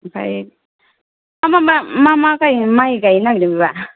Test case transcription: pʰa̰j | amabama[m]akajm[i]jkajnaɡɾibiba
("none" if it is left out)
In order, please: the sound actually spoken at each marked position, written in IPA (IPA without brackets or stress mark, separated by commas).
m, a